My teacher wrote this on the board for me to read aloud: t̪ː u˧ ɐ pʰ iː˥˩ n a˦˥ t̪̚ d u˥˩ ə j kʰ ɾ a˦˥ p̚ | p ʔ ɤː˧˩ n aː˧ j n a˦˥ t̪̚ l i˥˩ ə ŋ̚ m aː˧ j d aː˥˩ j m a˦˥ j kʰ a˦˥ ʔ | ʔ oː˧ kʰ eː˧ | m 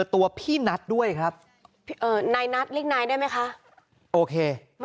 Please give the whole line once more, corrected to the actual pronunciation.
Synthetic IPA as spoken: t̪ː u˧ ɐ pʰ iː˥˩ n a˦˥ t̪̚ d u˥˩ ə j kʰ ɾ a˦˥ p̚ | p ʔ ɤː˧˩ n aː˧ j n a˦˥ t̪̚ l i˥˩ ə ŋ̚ n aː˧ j d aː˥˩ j m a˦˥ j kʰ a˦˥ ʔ | ʔ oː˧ kʰ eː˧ | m